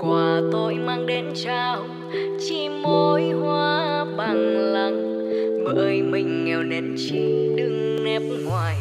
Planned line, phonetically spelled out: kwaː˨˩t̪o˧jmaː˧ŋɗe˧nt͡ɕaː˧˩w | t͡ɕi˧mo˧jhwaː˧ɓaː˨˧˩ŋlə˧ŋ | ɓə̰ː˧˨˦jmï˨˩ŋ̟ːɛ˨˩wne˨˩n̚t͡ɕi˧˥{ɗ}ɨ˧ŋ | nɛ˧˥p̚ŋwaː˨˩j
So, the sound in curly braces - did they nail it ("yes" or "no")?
yes